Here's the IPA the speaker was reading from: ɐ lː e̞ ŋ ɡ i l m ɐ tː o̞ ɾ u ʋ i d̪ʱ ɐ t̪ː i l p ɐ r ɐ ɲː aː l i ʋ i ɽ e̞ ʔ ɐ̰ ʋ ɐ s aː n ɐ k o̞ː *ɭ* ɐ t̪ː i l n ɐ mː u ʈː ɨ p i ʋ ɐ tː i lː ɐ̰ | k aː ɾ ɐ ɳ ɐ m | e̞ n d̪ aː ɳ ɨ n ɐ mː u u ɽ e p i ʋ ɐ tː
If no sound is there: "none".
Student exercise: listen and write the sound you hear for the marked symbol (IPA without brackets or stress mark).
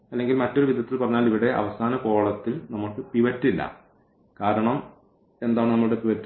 ɭ